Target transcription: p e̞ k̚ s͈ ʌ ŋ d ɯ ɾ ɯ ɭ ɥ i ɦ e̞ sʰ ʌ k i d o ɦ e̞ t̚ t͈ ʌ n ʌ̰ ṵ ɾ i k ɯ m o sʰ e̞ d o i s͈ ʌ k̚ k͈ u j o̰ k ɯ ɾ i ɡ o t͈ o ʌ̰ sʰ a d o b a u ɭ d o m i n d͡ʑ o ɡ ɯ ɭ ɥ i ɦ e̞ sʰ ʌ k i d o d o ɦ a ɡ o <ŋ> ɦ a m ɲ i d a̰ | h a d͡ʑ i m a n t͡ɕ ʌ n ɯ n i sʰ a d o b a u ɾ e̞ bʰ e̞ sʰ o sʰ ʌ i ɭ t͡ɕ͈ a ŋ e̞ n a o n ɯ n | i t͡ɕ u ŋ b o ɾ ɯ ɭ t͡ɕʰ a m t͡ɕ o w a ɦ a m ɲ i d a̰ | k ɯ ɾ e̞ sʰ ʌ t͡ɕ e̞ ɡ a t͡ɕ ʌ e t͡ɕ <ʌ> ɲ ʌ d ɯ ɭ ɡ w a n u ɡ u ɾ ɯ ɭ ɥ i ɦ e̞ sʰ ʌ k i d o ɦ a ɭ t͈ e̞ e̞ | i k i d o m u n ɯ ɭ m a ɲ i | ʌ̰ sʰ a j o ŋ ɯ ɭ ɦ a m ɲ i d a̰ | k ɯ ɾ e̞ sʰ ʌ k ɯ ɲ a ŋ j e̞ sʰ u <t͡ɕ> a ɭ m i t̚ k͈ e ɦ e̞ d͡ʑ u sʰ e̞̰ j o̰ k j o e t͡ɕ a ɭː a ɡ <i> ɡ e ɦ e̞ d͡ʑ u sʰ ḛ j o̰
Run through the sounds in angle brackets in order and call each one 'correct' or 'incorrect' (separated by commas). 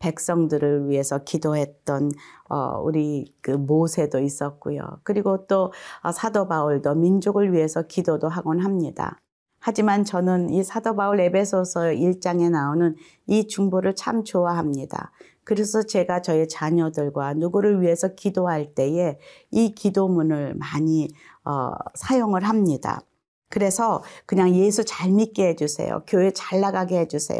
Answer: incorrect, incorrect, correct, incorrect